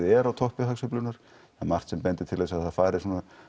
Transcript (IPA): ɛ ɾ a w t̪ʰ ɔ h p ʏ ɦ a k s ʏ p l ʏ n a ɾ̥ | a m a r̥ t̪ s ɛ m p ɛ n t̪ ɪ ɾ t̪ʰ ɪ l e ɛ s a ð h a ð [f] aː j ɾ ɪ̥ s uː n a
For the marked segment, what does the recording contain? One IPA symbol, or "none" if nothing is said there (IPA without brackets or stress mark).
f